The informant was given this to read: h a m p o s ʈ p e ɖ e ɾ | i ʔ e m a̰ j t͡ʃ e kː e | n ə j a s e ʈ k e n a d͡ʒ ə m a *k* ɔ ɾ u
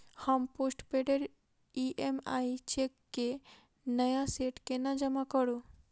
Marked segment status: correct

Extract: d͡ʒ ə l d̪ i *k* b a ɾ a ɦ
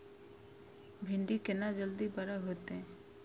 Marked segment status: incorrect: none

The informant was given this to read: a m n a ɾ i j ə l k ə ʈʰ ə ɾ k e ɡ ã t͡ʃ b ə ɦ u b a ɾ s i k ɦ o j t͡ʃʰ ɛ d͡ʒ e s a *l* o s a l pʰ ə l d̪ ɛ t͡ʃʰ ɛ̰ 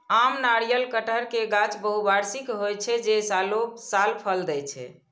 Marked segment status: correct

